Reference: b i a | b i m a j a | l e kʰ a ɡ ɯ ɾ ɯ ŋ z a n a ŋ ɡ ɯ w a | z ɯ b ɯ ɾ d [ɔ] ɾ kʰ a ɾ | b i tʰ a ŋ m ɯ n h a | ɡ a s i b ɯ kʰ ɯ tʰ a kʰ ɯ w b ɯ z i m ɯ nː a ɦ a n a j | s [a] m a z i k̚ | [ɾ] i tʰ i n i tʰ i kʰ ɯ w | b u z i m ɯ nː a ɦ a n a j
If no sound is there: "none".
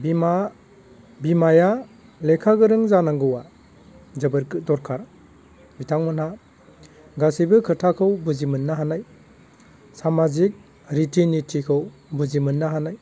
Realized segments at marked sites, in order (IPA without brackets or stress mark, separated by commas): ɔ, a, ɾ